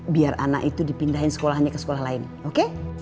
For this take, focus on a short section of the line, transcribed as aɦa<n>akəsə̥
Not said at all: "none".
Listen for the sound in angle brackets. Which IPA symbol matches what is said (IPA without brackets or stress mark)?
ɲ